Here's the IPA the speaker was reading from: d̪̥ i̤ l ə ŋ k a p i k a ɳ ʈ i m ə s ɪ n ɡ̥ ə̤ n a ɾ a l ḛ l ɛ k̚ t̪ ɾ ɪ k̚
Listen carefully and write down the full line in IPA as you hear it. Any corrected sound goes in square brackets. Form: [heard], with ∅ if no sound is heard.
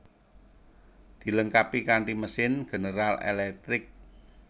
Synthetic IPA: d̪̥ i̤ l ə ŋ k a p i k a ɳ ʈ i m ə s ɪ n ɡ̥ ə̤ n [ə] ɾ a l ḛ l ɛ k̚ t̪ ɾ ɪ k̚